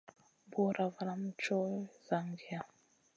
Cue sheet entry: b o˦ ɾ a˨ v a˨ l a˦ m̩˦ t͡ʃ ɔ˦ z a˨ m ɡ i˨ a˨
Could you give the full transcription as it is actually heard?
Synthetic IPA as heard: b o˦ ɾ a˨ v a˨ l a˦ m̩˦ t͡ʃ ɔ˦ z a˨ ŋ ɡ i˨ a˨

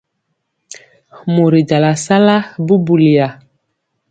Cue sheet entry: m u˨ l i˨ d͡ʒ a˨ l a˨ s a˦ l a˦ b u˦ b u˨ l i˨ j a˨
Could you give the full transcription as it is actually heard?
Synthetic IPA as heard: m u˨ ɾ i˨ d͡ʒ a˨ l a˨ s a˦ l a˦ b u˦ b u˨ l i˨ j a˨

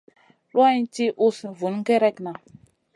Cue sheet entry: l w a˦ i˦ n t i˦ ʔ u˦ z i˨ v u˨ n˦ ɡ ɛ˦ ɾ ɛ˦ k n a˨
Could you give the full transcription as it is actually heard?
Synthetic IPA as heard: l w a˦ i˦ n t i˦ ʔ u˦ s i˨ v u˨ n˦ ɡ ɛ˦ ɾ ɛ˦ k n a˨

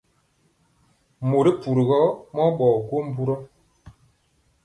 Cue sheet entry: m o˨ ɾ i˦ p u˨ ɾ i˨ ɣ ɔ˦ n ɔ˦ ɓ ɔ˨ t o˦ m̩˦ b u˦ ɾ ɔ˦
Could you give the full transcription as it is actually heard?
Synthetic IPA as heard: m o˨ ɾ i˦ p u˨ ɾ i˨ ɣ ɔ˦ m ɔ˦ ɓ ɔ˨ k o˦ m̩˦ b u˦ ɾ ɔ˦

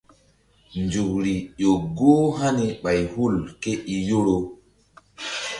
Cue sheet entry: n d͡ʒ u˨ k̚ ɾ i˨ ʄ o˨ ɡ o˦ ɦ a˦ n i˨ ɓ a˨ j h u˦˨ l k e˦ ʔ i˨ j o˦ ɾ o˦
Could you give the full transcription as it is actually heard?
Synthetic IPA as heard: n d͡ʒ u˨ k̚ ɾ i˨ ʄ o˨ ɡ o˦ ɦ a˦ n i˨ ɓ a˨ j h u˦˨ l k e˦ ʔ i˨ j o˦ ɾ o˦

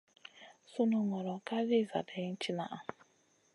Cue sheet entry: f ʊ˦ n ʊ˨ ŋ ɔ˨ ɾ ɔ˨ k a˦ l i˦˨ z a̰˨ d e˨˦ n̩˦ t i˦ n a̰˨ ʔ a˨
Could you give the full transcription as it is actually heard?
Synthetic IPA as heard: s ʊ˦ n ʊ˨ ŋ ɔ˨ ɾ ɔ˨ k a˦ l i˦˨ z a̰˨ d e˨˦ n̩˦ t͡ʃ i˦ n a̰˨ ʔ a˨

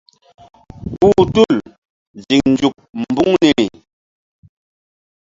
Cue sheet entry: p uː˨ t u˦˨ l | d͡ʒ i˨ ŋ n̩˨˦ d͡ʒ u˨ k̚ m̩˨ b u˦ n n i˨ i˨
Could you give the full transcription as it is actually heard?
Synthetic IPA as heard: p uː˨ t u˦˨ l | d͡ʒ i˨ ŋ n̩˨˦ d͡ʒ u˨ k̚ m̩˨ b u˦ ŋ n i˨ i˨

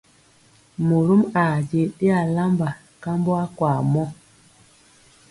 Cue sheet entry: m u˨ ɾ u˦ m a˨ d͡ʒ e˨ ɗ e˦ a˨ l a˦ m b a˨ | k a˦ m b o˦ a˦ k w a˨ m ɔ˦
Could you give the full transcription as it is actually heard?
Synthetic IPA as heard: m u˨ ɾ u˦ m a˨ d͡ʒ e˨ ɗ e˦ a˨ l a˦ m b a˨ | k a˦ m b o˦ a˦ k w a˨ m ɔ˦

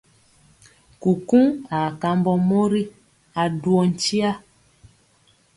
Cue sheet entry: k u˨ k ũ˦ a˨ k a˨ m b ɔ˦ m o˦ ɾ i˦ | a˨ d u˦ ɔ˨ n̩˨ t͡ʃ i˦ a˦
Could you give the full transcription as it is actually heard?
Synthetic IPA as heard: k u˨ k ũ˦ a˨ k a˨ m b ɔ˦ m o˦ ɾ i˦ | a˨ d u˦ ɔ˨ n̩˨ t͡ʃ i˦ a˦

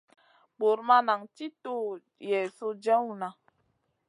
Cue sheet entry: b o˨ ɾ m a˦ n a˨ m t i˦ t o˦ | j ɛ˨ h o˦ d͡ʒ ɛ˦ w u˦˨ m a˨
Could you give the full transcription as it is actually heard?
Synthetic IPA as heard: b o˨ ɾ m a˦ n a˨ ŋ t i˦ t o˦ | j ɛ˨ s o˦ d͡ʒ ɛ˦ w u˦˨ n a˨

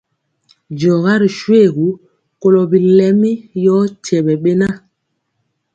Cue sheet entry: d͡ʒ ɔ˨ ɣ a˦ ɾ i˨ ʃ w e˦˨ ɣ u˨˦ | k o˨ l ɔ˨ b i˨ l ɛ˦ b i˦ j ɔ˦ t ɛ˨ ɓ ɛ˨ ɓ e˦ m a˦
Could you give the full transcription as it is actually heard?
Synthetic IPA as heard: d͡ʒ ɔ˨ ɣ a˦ ɾ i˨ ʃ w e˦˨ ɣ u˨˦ | k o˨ l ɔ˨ b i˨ l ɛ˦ m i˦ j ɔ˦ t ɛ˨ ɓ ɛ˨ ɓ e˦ n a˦

